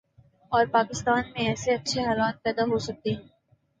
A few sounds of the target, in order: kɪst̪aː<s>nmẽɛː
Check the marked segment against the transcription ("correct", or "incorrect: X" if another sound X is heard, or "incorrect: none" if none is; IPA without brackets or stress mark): incorrect: none